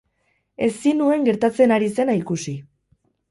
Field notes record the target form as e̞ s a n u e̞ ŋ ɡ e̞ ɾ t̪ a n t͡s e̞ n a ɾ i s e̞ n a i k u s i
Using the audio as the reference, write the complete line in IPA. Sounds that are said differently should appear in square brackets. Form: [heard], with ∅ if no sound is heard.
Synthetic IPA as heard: e̞ s [i] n u e̞ ŋ ɡ e̞ ɾ t̪ a [∅] t͡s e̞ n a ɾ i s e̞ n a i k u s i